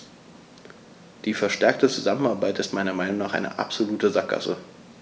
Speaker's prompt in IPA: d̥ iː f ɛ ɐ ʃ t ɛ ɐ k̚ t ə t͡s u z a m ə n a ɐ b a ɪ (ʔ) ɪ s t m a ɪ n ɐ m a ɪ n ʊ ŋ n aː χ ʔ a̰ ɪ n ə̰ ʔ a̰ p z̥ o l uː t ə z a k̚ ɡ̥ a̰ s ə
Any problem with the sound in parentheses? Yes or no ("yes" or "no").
yes